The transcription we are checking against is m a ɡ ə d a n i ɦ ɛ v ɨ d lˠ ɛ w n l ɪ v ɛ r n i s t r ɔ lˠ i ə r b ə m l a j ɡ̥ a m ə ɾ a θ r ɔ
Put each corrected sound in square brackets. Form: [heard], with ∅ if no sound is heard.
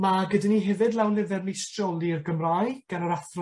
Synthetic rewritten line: m a ɡ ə d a n i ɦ ɛ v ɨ d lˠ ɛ w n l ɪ v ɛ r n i s t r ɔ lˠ i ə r [ɡ] ə m [r] a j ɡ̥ a [n] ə ɾ a θ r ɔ